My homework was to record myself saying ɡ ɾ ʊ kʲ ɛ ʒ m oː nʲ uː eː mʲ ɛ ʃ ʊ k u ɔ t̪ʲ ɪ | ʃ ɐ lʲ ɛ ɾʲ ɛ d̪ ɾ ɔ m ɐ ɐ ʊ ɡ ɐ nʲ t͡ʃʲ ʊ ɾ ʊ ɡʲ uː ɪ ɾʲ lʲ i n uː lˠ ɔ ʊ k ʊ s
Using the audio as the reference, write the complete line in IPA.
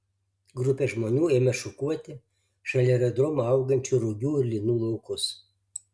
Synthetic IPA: ɡ ɾ ʊ pʲ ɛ ʒ m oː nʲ uː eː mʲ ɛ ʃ ʊ k u ɔ t̪ʲ ɪ | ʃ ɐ lʲ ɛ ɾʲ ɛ d̪ ɾ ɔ m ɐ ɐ ʊ ɡ ɐ nʲ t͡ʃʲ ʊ ɾ ʊ ɡʲ uː ɪ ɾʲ lʲ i n uː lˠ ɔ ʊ k ʊ s